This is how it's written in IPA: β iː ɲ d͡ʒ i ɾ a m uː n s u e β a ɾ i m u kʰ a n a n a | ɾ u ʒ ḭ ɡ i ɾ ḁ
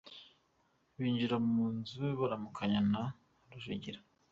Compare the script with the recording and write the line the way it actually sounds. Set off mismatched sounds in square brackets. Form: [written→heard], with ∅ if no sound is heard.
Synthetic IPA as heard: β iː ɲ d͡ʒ i ɾ a m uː n [s→z] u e β a ɾ [i→a] m u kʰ a [n→ɲ] a n a | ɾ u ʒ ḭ [ɡ→ɟ] i ɾ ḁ